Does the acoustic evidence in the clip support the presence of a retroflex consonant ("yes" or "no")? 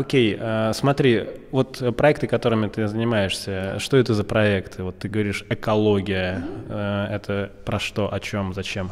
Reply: yes